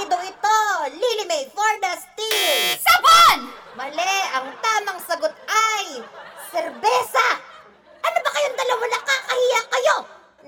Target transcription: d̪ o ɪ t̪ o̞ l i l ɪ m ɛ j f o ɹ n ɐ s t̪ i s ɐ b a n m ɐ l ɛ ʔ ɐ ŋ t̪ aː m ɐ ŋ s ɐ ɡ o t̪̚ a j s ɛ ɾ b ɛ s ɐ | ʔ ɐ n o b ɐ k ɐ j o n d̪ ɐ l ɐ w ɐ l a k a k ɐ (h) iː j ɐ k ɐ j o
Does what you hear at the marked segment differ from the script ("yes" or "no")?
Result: no